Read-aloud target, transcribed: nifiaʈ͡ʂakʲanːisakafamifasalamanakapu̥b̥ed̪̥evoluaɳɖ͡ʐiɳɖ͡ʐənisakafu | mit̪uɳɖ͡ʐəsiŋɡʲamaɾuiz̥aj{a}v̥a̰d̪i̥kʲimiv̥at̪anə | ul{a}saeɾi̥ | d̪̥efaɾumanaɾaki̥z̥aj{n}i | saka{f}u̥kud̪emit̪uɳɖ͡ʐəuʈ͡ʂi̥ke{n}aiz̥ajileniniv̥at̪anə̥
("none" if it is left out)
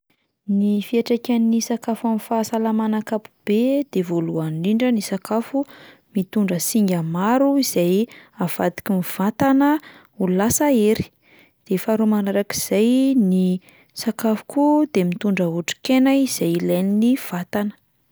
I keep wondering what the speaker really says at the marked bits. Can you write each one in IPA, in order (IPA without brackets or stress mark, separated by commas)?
a, a, n, f, n